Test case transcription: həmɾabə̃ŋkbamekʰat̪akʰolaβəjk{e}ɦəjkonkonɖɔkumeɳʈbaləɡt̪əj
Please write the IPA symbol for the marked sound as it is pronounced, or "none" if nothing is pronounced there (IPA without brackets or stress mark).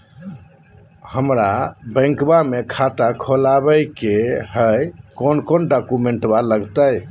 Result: e